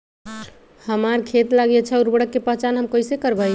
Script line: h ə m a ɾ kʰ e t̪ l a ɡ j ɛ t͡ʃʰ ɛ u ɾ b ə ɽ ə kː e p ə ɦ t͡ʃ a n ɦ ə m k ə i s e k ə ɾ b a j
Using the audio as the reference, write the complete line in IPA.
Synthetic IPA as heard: h ə m a ɾ kʰ e t̪ l a ɡ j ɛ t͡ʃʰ ɛ u ɾ b ə ɽ ə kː e p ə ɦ t͡ʃ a n ɦ ə m k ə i s e k ə ɾ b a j